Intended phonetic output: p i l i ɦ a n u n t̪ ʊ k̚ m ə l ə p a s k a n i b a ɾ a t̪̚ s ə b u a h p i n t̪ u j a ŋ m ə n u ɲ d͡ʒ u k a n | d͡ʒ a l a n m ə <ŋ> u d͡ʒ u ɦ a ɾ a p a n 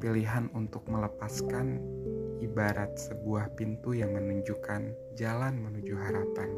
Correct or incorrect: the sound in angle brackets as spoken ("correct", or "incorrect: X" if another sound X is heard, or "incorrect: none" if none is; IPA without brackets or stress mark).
incorrect: n